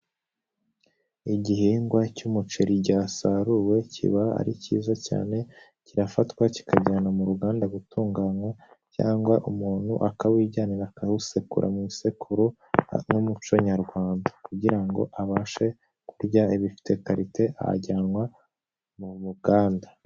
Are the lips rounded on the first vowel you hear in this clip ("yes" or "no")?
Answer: no